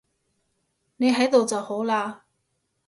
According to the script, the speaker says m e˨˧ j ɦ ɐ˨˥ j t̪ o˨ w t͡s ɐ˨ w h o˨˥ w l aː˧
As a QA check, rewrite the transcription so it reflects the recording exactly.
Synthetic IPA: n e˨˧ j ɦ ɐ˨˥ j t̪ o˨ w t͡s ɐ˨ w h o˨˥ w l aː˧